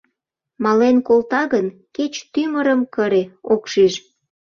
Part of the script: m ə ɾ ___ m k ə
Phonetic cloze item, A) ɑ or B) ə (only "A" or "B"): B